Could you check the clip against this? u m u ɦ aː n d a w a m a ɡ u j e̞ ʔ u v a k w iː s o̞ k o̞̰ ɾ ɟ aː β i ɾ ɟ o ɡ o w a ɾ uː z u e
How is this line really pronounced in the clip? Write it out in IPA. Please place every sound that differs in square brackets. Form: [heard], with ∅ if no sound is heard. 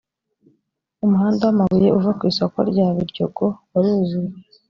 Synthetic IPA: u m u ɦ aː n d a w a m a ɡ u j e̞ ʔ u v a k w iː s o̞ k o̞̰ ɾ ɟ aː β i ɾ ɟ o ɡ o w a ɾ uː z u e